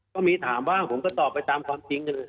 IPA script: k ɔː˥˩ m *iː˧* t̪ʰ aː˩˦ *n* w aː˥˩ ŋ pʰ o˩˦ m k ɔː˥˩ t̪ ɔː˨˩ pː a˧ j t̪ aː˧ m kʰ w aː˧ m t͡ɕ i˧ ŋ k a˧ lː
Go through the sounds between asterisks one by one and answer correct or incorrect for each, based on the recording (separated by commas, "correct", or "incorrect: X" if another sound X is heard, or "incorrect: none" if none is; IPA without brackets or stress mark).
correct, incorrect: m